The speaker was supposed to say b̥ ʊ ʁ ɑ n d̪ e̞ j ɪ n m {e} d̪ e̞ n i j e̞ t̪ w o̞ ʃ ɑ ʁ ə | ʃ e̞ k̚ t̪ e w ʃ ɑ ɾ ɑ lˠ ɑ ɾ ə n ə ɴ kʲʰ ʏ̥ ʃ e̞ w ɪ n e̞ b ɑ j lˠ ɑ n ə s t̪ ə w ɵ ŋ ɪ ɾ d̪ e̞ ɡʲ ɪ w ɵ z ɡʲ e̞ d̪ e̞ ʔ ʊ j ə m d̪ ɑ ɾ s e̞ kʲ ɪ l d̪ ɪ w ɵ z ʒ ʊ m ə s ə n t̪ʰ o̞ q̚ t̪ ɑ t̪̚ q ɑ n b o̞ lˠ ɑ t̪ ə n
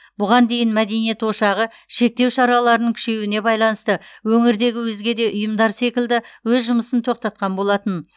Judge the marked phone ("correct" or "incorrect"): incorrect